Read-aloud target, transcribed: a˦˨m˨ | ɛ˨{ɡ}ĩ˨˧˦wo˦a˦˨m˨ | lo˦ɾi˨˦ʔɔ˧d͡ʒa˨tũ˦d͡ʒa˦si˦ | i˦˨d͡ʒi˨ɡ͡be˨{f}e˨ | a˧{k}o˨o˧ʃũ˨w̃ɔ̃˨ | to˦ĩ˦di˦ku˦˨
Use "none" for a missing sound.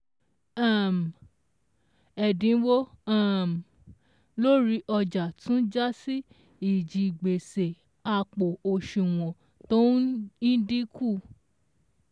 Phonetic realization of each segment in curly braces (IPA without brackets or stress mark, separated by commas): d, s, k͡p